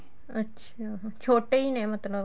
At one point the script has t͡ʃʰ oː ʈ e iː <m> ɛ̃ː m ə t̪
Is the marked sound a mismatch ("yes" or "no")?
yes